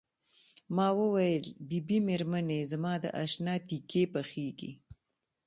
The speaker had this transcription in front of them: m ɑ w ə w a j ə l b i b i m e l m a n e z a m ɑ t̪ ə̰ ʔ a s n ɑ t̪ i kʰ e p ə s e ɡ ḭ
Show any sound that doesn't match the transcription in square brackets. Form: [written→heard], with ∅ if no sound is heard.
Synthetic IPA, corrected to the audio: m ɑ w ə w a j ə l b i b i m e [l→ɾ] m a n e z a m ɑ [t̪→d̪] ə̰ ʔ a [s→ʃ] n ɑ t̪ i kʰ e p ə [s→x] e ɡ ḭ